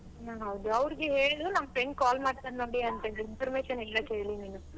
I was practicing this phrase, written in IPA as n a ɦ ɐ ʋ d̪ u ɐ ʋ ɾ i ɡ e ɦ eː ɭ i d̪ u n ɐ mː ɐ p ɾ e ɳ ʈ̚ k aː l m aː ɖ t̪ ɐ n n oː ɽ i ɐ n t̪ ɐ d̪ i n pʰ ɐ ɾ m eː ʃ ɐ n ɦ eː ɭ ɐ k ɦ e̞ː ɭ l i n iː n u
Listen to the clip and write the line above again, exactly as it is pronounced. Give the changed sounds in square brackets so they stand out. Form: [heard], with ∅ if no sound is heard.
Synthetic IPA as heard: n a ɦ ɐ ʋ d̪ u ɐ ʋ ɾ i ɡ e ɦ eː ɭ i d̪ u n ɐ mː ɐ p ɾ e ɳ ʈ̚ k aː l m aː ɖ t̪ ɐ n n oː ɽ i ɐ n t̪ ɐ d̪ i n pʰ ɐ ɾ m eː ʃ ɐ n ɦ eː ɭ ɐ k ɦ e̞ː ɭ l i n iː n u